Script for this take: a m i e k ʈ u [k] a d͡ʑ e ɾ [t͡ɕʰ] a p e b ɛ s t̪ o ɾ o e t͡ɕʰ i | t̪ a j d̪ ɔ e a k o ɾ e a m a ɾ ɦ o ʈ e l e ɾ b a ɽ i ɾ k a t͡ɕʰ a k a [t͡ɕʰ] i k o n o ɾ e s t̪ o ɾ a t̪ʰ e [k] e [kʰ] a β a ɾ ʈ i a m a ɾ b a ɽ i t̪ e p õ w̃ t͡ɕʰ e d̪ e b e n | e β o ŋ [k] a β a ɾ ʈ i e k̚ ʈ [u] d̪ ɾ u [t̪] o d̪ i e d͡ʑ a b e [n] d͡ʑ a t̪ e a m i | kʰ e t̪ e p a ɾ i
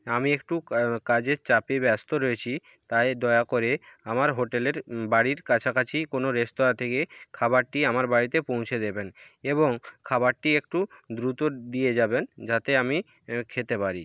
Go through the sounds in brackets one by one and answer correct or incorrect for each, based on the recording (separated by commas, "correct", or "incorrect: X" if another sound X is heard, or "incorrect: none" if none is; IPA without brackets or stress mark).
correct, incorrect: t͡ɕ, correct, correct, correct, incorrect: kʰ, correct, correct, correct